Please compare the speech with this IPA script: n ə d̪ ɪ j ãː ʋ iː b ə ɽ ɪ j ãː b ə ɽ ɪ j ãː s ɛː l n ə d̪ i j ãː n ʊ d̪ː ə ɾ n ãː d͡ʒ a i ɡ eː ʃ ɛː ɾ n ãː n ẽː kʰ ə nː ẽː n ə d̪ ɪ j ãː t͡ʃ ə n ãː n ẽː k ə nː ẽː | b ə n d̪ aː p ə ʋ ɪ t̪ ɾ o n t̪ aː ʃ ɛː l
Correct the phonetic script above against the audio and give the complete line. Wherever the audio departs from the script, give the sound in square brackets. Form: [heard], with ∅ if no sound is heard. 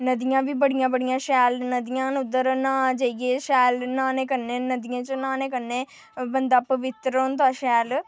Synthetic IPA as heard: n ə d̪ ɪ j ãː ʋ iː b ə ɽ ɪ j ãː b ə ɽ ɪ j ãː [ʃ] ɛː l n ə d̪ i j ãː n ʊ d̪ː ə ɾ n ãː d͡ʒ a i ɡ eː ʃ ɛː [l] n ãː n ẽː [k] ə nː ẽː n ə d̪ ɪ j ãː t͡ʃ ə n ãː n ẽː k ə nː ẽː | b ə n d̪ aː p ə ʋ ɪ t̪ ɾ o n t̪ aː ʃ ɛː l